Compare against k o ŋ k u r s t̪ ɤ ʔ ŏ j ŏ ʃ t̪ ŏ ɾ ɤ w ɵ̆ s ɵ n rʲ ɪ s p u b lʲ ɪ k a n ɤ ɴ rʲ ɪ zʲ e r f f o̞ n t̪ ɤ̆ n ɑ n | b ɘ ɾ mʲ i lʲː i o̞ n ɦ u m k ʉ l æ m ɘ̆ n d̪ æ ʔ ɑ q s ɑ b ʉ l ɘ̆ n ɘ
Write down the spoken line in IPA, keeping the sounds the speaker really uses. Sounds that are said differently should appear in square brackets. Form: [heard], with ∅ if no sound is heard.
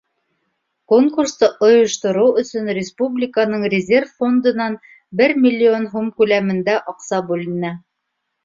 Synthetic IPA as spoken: k o ŋ k u r s t̪ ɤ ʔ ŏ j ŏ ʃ t̪ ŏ ɾ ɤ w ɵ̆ s ɵ n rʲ ɪ s p u b lʲ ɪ k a n ɤ ɴ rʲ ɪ zʲ e r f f o̞ n [d̪] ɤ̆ n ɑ n | b ɘ ɾ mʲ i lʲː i o̞ n ɦ u m k ʉ l æ m ɘ̆ n d̪ æ ʔ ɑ q s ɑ b ʉ l ɘ̆ n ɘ